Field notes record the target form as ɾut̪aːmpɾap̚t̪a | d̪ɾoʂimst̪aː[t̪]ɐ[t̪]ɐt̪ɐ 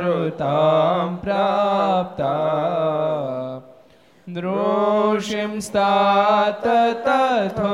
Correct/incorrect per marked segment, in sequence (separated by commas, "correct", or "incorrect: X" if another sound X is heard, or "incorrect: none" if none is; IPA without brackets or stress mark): correct, correct